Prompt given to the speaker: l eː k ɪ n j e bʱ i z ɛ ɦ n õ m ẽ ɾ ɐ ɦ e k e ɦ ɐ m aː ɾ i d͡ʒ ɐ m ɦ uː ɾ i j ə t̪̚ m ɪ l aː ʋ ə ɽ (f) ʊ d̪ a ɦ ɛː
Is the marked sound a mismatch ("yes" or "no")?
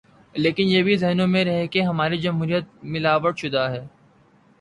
yes